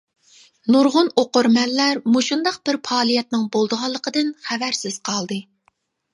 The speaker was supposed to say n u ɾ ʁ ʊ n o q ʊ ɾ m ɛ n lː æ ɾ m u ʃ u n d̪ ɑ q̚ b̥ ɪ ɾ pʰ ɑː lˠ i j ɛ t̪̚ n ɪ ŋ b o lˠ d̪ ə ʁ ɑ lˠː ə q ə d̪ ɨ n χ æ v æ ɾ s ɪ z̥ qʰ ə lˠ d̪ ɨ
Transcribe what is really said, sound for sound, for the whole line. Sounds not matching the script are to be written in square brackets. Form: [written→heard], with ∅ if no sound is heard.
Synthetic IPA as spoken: n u ɾ ʁ ʊ n o q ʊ ɾ m ɛ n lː æ ɾ m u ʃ u n d̪ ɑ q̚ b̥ ɪ ɾ pʰ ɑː lˠ i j ɛ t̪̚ n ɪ ŋ b o lˠ d̪ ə ʁ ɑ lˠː ə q ə d̪ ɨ n χ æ v æ ɾ s ɪ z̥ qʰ [ə→ɑ] lˠ d̪ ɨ

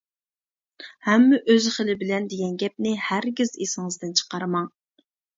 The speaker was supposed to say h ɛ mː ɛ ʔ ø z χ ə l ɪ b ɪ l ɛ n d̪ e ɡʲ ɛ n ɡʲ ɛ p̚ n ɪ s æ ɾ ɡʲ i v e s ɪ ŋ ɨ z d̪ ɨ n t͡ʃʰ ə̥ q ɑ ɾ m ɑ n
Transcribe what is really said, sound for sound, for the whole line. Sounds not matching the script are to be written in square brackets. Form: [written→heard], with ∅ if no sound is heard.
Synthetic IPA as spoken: h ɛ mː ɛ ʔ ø z χ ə l ɪ b ɪ l ɛ n d̪ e ɡʲ ɛ n ɡʲ ɛ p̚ n ɪ [s→h] æ ɾ ɡʲ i [v→z] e s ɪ ŋ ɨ z d̪ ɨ n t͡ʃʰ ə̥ q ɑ ɾ m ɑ [n→ŋ]

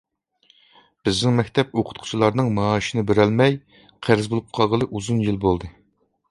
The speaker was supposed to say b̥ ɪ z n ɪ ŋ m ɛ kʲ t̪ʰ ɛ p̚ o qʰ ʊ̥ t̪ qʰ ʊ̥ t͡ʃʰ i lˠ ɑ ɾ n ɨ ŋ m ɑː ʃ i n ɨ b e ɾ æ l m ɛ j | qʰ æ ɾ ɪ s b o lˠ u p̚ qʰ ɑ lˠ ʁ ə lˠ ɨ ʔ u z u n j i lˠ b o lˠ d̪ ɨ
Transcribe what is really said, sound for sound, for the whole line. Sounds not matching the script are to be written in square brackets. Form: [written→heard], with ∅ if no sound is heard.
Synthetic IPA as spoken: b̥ ɪ z n ɪ ŋ m ɛ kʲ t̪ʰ ɛ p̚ o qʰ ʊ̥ t̪ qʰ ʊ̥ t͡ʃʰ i lˠ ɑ ɾ n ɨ ŋ m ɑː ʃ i n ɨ b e ɾ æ l m ɛ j | qʰ æ ɾ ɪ [s→z] b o lˠ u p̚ qʰ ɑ lˠ ʁ ə lˠ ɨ ʔ u z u n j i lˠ b o lˠ d̪ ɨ

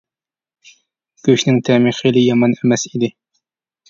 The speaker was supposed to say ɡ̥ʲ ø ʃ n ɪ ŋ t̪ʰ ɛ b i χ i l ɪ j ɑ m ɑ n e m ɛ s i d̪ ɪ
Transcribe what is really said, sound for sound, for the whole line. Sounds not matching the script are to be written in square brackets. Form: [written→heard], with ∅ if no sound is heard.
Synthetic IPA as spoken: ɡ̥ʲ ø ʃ n ɪ ŋ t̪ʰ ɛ [b→m] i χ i l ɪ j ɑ m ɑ n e m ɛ s i d̪ ɪ

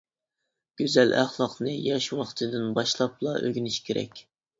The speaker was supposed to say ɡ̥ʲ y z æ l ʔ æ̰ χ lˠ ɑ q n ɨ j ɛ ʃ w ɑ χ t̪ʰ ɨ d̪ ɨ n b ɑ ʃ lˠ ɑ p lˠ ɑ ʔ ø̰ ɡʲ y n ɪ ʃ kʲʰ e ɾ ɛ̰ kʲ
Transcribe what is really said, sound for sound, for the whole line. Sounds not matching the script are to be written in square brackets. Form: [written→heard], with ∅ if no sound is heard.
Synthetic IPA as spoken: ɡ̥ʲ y z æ l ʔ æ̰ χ lˠ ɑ q n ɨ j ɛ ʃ w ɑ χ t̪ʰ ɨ d̪ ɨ n b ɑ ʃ lˠ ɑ p lˠ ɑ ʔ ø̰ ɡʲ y n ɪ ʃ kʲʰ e ɾ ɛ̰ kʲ

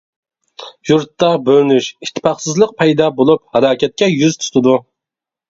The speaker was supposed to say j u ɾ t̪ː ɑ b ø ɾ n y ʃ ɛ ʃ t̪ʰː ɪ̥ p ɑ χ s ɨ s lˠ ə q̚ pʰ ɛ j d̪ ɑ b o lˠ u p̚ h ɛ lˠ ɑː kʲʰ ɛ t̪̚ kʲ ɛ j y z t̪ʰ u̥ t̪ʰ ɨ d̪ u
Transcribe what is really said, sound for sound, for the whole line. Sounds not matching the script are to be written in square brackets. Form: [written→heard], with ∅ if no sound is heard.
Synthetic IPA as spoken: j u ɾ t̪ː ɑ b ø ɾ n y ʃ [ɛ→i] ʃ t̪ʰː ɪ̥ p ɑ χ s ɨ [s→z] lˠ ə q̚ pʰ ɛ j d̪ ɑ b o lˠ u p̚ h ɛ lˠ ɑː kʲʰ ɛ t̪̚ kʲ ɛ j y z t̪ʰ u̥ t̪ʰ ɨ d̪ u

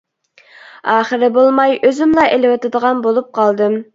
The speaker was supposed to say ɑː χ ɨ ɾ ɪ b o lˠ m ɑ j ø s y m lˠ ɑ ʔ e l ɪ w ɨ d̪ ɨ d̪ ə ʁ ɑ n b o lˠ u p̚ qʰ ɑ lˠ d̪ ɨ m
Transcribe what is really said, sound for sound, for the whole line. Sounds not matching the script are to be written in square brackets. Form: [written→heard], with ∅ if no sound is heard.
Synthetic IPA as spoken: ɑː χ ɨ ɾ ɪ b o lˠ m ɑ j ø [s→z] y m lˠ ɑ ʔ e l ɪ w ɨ [d̪→t̪] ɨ d̪ ə ʁ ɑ n b o lˠ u p̚ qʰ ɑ lˠ d̪ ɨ m

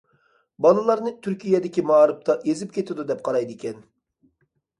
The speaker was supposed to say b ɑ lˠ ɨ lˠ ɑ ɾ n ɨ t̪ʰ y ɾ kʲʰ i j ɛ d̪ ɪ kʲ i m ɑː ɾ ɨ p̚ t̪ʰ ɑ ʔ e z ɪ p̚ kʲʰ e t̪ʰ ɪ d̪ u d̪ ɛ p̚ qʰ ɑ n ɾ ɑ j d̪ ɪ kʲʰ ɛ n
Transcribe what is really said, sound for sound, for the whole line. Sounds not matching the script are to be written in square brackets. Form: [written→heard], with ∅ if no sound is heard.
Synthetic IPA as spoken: b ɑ lˠ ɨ lˠ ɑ ɾ n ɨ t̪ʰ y ɾ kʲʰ i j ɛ d̪ ɪ kʲ i m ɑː ɾ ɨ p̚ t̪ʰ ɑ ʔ e z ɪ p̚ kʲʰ e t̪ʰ ɪ d̪ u d̪ ɛ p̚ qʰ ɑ [n→∅] ɾ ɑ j d̪ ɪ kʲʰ ɛ n

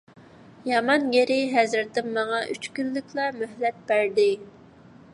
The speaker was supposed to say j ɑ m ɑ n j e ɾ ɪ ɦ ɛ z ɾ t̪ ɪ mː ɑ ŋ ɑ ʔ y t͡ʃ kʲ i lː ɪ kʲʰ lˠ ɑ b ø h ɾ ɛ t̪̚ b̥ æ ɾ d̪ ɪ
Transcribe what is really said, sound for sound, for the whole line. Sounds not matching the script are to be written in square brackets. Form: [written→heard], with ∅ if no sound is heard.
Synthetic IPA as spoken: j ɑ m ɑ n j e ɾ ɪ ɦ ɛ z ɾ t̪ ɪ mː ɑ ŋ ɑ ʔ y t͡ʃ kʲ [i→y] lː ɪ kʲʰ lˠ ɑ [b→m] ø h [ɾ→l] ɛ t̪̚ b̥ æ ɾ d̪ ɪ

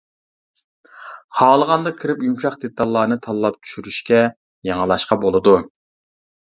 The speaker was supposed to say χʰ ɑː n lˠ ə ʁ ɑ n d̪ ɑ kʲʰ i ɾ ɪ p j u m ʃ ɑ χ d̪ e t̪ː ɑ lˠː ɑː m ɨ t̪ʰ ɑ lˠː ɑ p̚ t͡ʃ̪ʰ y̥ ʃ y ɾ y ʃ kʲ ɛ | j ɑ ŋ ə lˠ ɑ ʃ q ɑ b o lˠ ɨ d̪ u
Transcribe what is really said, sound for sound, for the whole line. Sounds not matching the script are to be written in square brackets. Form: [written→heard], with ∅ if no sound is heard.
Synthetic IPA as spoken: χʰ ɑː [n→∅] lˠ ə ʁ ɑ n d̪ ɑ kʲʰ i ɾ ɪ p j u m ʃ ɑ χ d̪ e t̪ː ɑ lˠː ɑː [m→n] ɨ t̪ʰ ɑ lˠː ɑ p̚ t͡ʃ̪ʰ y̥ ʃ y ɾ y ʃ kʲ ɛ | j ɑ ŋ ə lˠ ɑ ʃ q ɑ b o lˠ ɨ d̪ u

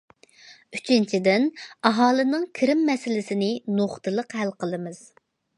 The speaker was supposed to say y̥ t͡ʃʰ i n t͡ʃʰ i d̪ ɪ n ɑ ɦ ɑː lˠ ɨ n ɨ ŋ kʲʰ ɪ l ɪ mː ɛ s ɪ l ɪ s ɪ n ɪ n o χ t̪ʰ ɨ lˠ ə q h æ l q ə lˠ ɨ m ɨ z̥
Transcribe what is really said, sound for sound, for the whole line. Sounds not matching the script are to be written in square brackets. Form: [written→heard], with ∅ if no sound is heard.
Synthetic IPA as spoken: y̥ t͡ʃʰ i n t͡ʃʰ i d̪ ɪ n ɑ ɦ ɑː lˠ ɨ n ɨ ŋ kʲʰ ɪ [l→ɾ] ɪ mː ɛ s ɪ l ɪ s ɪ n ɪ n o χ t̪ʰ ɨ lˠ ə q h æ l q ə lˠ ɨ m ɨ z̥

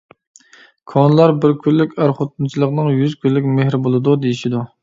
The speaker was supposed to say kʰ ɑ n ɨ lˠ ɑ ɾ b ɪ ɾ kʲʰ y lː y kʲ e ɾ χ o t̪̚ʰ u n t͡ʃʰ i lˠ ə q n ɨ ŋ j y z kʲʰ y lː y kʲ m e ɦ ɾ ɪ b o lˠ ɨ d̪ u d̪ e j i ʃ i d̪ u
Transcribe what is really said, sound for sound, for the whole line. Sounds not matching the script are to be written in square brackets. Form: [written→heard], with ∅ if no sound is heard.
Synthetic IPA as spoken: kʰ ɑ n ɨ lˠ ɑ ɾ b ɪ ɾ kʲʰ y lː y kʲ [e→æ] ɾ χ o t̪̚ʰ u n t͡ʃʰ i lˠ ə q n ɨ ŋ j y z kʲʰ y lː y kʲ m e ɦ ɾ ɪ b o lˠ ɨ d̪ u d̪ e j i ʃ i d̪ u

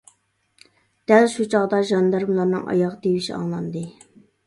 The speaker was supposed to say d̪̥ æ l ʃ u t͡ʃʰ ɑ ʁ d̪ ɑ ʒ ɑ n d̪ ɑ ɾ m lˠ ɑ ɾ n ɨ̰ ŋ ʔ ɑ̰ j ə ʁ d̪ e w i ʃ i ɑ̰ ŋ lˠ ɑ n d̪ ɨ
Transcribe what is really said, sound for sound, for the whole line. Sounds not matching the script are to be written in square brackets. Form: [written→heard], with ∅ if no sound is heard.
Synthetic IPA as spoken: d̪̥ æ l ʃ u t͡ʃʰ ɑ ʁ d̪ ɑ ʒ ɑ n d̪ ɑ ɾ m lˠ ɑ ɾ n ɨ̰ ŋ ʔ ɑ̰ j [ə→ɑ] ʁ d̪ e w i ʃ i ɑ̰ ŋ lˠ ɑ n d̪ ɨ

